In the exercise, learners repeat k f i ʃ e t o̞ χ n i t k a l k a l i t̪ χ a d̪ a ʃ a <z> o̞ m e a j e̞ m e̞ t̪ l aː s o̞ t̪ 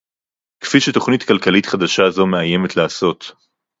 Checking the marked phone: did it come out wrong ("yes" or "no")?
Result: no